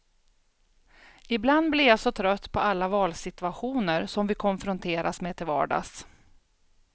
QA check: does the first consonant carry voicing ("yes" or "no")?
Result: yes